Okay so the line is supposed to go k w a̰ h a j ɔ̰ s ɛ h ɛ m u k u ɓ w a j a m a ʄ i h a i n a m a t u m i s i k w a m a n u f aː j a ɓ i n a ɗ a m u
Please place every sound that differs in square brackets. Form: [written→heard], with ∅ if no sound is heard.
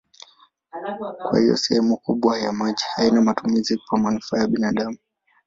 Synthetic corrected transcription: k w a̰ h [a→i] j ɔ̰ s ɛ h ɛ m u k u ɓ w a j a m a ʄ i h a i n a m a t u m i [s→z] i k w a m a n u f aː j a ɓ i n a ɗ a m u